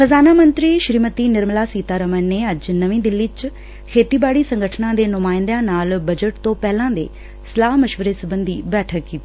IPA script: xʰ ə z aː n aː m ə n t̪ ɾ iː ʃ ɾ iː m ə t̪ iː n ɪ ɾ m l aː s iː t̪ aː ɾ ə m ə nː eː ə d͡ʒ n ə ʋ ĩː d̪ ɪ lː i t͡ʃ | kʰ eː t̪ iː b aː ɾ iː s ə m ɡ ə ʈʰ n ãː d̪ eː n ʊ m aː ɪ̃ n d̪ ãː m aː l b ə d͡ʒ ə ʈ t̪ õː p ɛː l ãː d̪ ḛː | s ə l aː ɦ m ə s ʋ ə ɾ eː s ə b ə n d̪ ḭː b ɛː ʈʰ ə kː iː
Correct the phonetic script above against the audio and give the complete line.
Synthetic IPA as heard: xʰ ə z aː n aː m ə n t̪ ɾ iː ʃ ɾ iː m ə t̪ iː n ɪ ɾ m l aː s iː t̪ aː ɾ ə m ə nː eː ə d͡ʒ n ə ʋ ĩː d̪ ɪ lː i t͡ʃ | kʰ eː t̪ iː b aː ɽ iː s ə ŋ ɡ ə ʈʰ n ãː d̪ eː n ʊ m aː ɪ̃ n d̪ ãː n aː l b ə d͡ʒ ə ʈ t̪ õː p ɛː l ãː d̪ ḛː | s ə l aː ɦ m ə ʃ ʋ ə ɾ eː s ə b ə n d̪ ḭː b ɛː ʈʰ ə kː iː